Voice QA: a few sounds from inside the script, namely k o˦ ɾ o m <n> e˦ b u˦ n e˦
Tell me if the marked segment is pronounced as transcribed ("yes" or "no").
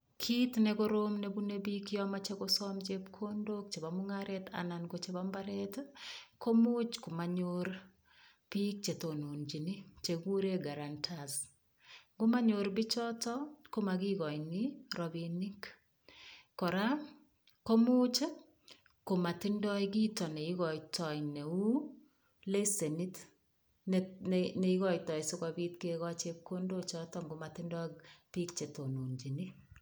yes